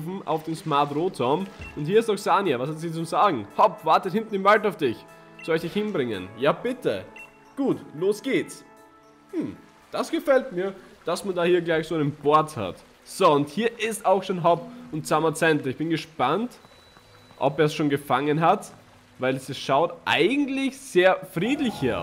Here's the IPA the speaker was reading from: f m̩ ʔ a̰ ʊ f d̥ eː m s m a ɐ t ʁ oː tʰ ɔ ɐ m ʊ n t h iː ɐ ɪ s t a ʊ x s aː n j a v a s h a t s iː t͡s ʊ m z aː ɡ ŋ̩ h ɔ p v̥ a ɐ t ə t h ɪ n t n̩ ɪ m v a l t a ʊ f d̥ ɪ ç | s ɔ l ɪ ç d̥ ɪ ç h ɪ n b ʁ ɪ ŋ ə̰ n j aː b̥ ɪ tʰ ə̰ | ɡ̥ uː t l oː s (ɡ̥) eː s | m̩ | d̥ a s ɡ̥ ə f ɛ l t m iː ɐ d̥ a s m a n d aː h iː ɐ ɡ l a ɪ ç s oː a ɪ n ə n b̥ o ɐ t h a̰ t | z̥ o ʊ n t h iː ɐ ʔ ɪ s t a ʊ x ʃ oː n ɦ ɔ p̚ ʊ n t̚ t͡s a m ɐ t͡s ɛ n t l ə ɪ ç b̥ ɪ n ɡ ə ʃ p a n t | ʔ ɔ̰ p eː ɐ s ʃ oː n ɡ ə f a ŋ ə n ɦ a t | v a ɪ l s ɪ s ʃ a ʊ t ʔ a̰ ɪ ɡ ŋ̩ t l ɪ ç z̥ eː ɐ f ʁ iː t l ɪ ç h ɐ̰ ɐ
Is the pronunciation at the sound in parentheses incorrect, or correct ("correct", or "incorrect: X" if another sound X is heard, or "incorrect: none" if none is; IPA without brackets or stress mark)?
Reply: correct